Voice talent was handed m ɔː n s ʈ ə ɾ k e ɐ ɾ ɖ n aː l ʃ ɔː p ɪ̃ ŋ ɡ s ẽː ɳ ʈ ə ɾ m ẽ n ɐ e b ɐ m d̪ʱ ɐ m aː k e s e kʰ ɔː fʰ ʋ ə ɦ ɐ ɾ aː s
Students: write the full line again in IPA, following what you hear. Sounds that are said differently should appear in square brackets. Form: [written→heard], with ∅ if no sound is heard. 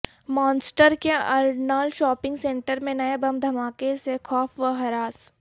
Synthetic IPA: m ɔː n s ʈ ə ɾ k e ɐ ɾ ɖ n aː l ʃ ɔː p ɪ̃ ŋ ɡ s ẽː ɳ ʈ ə ɾ m ẽ n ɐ e b ɐ m d̪ʱ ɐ m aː k e s e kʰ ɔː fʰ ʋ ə ɦ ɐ ɾ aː s